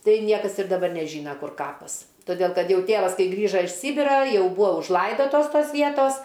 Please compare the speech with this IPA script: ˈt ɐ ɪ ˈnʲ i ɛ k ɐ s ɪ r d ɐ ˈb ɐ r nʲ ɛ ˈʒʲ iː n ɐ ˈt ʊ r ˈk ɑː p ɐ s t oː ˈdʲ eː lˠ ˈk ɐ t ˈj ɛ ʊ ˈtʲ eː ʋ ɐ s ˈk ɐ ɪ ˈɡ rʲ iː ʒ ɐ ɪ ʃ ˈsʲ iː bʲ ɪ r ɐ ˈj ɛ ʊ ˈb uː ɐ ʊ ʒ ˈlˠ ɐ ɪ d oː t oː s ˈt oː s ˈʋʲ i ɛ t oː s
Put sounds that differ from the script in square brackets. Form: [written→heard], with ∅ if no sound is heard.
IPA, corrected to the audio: ˈt ɐ ɪ ˈnʲ i ɛ k ɐ s ɪ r d ɐ ˈb ɐ r nʲ ɛ ˈʒʲ iː n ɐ [ˈt→ˈk] ʊ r ˈk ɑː p ɐ s t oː ˈdʲ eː lˠ ˈk ɐ t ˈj ɛ ʊ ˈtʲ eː ʋ ɐ s ˈk ɐ ɪ ˈɡ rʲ iː ʒ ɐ ɪ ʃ ˈsʲ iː bʲ ɪ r ɐ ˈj ɛ ʊ ˈb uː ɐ ʊ ʒ ˈlˠ ɐ ɪ d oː t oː s ˈt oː s ˈʋʲ i ɛ t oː s